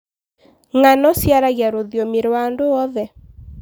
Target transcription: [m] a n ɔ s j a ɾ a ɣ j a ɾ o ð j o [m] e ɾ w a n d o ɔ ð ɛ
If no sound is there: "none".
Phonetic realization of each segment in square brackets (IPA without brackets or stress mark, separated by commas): ŋ, m